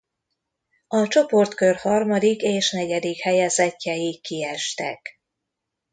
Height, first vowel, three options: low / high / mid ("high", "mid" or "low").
low